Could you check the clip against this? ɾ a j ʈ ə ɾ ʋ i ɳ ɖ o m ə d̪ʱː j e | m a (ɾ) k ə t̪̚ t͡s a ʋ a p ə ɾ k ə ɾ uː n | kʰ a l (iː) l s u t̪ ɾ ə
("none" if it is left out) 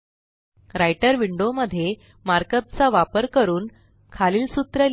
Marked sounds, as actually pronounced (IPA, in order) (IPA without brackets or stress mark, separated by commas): ɾ, iː